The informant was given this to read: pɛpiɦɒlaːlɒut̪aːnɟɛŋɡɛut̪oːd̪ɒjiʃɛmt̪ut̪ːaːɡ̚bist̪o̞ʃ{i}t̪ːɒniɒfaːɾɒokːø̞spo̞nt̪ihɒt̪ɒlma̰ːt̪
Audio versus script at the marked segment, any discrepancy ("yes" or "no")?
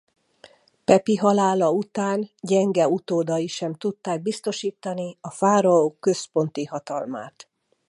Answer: yes